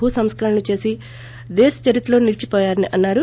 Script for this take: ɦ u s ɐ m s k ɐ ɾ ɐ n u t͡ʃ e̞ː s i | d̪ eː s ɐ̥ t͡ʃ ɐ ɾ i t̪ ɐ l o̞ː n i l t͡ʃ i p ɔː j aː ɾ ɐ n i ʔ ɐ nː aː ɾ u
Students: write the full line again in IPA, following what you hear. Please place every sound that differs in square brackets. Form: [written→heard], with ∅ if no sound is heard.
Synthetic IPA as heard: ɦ u s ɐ m s k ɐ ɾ ɐ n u t͡ʃ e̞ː s i | d̪ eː s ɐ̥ t͡ʃ ɐ ɾ i t̪ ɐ l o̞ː n i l t͡ʃ i p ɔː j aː ɾ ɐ n i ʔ ɐ nː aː ɾ u

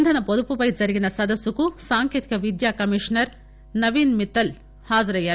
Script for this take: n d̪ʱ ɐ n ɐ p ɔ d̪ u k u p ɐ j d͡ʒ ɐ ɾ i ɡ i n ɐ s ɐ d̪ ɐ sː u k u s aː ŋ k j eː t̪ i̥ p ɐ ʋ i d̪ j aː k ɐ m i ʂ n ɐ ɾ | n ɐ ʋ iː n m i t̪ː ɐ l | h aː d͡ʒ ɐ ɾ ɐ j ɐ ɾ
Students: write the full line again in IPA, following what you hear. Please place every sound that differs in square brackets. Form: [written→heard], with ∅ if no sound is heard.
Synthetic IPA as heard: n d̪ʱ ɐ n ɐ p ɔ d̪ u [k→p] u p ɐ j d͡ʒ ɐ ɾ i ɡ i n ɐ s ɐ d̪ ɐ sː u k u s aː ŋ k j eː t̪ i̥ [p→k] ɐ ʋ i d̪ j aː k ɐ m i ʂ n ɐ ɾ | n ɐ ʋ iː n m i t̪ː ɐ l | h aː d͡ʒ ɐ ɾ ɐ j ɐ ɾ

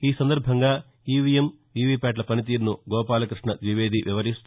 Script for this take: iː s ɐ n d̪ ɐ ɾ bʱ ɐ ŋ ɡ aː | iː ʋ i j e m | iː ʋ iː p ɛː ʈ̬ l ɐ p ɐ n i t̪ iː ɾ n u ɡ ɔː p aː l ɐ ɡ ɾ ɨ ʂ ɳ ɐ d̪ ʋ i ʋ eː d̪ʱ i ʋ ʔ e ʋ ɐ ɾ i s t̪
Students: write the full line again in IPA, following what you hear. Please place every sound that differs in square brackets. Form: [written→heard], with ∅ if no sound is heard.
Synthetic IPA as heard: iː s ɐ n d̪ ɐ ɾ bʱ ɐ ŋ ɡ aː | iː ʋ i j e m | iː ʋ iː p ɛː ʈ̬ l ɐ p ɐ n i t̪ iː ɾ n u ɡ ɔː p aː l ɐ [ɡ→k] ɾ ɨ ʂ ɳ ɐ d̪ ʋ i ʋ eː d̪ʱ i ʋ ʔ [e→i] ʋ ɐ ɾ i s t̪

